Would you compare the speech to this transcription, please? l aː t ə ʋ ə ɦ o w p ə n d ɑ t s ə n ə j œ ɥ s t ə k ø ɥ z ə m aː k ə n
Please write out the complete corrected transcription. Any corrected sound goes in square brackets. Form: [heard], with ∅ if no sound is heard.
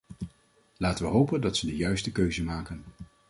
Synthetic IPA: l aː t ə ʋ ə ɦ o w p ə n d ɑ t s ə [d] ə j œ ɥ s t ə k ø ɥ z ə m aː k ə n

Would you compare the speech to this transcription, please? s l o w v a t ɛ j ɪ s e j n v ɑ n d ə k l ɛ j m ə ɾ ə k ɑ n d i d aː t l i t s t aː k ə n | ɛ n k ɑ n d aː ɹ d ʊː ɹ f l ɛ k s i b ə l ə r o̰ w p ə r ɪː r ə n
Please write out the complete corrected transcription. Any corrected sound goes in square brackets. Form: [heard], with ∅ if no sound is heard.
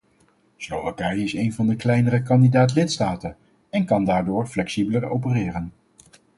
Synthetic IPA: s l o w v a [k] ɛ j ɪ s e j n v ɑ n d ə k l ɛ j [n] ə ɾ ə k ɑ n d i d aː t l [ɪ] t s t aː [t] ə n | ɛ n k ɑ n d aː ɹ d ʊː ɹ f l ɛ k s i b ə l ə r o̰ w p ə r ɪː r ə n

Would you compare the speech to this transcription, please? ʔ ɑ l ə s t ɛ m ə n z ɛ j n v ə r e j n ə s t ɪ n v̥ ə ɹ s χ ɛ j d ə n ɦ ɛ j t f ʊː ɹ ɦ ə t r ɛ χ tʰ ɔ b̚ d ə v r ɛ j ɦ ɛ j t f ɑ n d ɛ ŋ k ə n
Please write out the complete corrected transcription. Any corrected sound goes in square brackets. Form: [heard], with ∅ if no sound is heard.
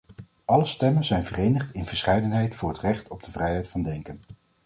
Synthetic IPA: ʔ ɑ l ə s t ɛ m ə n z ɛ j n v ə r e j n ə [χ] t ɪ n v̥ ə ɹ s χ ɛ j d ə n ɦ ɛ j t f ʊː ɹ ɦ ə t r ɛ χ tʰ ɔ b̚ d ə v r ɛ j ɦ ɛ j t f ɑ n d ɛ ŋ k ə n

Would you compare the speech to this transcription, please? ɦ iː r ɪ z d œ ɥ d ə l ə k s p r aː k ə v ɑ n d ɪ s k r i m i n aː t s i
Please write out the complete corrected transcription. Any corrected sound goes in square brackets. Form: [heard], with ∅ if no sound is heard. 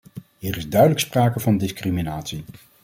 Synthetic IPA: ɦ iː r ɪ z d œ ɥ d ə l ə k s p r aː k ə v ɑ n d ɪ s k r i m i n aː t s i

